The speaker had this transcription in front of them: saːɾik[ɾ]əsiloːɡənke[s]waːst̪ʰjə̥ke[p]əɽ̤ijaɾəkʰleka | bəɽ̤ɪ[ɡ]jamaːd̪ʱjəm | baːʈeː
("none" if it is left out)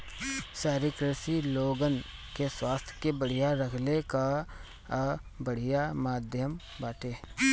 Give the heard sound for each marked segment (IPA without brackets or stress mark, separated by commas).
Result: ɾ, s, b, none